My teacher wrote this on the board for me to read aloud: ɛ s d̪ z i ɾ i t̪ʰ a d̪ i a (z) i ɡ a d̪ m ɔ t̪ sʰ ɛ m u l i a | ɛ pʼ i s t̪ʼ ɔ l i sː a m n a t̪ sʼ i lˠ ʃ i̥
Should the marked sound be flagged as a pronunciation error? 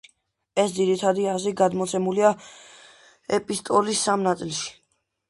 no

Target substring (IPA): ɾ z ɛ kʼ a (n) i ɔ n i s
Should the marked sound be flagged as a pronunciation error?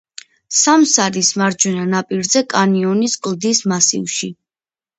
no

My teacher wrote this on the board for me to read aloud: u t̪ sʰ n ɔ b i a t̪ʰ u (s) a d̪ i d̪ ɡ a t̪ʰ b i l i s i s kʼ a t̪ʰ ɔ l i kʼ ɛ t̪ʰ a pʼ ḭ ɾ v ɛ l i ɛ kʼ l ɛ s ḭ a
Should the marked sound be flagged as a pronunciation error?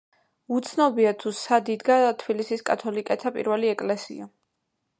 no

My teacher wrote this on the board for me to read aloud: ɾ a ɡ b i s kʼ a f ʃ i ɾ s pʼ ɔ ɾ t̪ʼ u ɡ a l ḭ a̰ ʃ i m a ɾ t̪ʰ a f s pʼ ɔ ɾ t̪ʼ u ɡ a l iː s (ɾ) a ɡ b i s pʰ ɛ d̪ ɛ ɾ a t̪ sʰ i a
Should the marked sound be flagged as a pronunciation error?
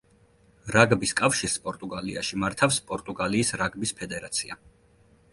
no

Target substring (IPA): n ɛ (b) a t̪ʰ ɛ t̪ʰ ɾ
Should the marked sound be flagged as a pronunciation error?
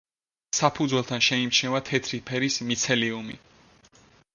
yes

